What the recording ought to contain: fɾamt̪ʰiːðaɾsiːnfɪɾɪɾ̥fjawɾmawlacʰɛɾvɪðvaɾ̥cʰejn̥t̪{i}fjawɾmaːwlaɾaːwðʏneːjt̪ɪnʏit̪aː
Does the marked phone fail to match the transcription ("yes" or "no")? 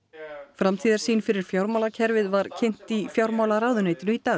no